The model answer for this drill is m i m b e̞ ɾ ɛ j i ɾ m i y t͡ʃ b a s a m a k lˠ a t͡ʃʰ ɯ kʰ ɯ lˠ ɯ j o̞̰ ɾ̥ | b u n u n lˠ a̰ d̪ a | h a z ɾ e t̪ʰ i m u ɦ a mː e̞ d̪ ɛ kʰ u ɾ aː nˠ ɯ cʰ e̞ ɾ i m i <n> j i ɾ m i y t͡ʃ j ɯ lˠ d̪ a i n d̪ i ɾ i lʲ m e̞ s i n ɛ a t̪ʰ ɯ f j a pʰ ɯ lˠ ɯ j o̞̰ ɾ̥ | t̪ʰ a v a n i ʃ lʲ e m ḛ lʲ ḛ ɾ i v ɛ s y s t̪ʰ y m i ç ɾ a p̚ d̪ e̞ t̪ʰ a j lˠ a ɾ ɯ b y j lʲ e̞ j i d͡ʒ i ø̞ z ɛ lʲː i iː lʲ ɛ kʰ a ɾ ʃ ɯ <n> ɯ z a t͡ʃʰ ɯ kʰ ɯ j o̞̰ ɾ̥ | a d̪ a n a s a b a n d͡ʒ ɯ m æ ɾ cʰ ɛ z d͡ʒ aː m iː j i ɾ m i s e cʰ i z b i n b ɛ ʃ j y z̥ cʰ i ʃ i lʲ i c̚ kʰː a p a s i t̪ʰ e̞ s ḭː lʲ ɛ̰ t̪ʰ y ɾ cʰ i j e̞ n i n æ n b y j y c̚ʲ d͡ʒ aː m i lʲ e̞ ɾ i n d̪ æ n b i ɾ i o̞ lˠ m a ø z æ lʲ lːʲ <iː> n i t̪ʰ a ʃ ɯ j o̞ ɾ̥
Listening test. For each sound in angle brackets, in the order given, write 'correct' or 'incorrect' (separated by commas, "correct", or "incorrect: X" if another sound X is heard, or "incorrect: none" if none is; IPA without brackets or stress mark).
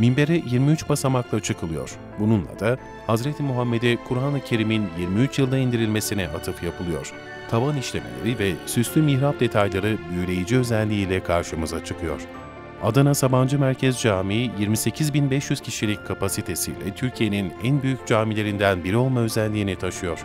correct, incorrect: m, correct